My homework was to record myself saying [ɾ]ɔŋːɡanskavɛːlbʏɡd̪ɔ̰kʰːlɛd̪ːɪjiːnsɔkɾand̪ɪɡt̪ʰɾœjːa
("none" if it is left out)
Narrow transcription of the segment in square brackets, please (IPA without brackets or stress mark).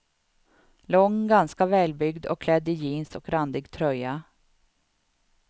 l